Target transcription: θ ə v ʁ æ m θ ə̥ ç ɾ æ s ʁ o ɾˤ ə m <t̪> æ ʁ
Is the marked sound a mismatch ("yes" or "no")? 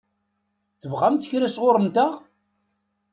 no